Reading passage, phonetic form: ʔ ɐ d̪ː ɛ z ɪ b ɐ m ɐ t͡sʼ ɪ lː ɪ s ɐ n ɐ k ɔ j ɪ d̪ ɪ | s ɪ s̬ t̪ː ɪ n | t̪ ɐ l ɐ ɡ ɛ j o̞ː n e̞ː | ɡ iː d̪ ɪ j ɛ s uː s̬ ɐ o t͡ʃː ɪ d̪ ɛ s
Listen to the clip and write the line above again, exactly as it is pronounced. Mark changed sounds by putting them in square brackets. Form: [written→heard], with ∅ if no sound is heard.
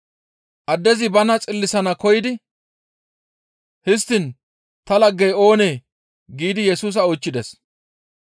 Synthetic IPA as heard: ʔ ɐ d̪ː ɛ z ɪ b ɐ [m→n] ɐ t͡sʼ ɪ lː ɪ s ɐ n ɐ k ɔ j ɪ d̪ ɪ | [s→h] ɪ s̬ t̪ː ɪ n | t̪ ɐ l ɐ [ɡ→ɡː] ɛ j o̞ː n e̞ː | ɡ iː d̪ ɪ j ɛ s uː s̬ ɐ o t͡ʃː ɪ d̪ ɛ s